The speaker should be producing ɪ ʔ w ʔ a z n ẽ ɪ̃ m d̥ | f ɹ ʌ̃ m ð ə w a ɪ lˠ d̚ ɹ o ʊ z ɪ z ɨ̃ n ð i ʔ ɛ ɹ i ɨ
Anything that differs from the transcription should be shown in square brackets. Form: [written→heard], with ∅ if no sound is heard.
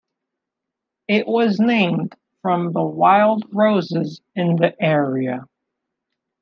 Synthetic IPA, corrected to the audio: ɪ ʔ w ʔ [a→ʌ] z n ẽ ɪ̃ m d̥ | f ɹ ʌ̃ m ð ə w a ɪ lˠ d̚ ɹ o ʊ z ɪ z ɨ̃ n ð i ʔ ɛ ɹ i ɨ